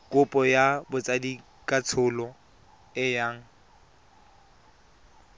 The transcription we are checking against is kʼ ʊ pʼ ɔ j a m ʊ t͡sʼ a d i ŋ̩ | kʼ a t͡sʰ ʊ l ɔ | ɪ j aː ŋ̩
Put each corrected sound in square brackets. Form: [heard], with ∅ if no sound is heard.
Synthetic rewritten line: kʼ ʊ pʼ ɔ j a [b] ʊ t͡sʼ a d i [∅] | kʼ a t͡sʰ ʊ l ɔ | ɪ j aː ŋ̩